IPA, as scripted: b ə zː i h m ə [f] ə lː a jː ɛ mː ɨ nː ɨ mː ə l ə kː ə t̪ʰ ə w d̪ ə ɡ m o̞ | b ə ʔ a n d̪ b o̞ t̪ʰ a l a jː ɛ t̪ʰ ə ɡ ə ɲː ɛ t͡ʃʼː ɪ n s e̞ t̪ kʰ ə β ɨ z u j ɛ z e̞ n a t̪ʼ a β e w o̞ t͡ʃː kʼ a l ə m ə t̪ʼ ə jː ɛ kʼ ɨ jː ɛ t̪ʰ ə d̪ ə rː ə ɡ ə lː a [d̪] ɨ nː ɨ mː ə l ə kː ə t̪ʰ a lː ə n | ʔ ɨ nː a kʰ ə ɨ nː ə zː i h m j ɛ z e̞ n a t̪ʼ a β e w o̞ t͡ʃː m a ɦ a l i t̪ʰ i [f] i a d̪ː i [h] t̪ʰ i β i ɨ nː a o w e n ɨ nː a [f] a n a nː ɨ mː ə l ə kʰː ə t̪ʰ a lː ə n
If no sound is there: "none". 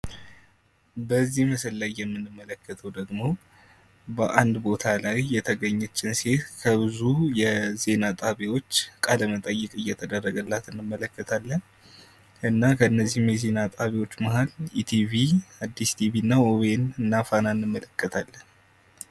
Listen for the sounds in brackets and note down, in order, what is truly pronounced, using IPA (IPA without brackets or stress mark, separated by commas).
s, t̪, v, s, f